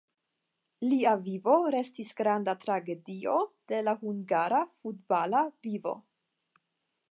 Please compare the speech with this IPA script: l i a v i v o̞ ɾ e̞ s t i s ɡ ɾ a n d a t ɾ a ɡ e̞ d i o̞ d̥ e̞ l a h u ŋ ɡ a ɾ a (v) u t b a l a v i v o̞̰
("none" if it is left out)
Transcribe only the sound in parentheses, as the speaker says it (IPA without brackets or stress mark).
f